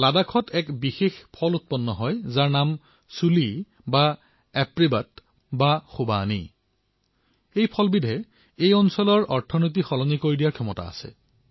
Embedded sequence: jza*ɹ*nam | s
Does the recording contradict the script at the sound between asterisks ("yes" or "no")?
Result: no